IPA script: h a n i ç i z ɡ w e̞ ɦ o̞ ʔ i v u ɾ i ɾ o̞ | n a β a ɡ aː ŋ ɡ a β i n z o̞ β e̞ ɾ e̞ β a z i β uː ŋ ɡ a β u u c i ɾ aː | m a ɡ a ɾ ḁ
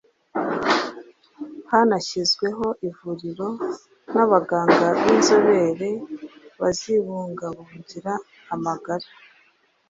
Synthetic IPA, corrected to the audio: h a n a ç i z ɡ w e̞ ɦ o̞ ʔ i v u ɾ i ɾ o̞ | n a β a ɡ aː ŋ ɡ a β i n z o̞ β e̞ ɾ e̞ β a z i β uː ŋ ɡ a β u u ɟ i ɾ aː | m a ɡ a ɾ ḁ